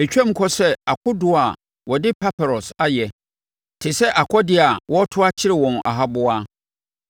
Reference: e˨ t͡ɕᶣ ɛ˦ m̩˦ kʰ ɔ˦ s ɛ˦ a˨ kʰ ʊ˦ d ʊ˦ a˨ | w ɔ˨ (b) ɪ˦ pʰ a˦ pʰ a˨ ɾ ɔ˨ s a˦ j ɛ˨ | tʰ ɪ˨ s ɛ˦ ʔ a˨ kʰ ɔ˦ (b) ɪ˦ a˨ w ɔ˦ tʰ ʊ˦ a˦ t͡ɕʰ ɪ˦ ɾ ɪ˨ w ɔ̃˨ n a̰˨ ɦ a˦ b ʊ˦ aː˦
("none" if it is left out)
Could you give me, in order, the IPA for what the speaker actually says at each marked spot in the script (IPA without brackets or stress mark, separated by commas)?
d, d